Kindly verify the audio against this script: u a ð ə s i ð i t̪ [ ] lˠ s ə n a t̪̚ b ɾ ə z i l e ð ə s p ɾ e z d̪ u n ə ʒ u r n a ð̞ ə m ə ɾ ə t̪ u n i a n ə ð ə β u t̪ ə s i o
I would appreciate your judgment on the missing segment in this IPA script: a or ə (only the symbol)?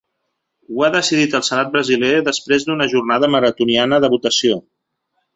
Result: ə